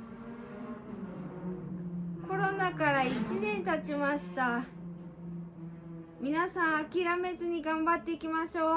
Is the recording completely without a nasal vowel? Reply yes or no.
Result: no